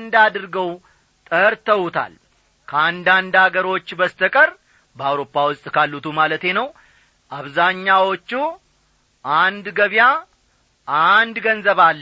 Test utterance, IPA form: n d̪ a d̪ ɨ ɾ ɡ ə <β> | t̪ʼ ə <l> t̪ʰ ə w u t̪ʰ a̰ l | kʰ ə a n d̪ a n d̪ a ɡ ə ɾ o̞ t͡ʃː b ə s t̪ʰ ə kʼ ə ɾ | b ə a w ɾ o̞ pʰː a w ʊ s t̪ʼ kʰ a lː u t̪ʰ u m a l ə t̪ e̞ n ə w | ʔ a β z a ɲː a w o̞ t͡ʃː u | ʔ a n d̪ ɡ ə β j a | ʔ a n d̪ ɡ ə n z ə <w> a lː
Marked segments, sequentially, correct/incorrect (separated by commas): incorrect, incorrect, incorrect